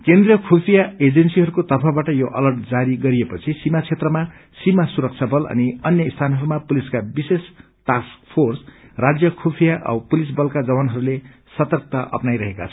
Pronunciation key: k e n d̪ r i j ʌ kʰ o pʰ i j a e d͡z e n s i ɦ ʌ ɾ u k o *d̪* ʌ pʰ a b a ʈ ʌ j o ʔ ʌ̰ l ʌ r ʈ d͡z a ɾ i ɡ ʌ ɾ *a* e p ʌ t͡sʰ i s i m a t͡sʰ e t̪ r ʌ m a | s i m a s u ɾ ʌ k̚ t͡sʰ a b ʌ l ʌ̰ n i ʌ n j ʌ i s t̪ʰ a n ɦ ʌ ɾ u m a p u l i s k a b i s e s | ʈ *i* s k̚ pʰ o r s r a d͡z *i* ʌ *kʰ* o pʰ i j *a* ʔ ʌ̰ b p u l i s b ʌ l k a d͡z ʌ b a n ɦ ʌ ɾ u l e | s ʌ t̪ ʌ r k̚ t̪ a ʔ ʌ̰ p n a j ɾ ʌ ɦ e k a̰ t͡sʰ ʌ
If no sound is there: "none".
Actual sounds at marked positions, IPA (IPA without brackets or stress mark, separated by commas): t̪, i, a, j, kʰ, a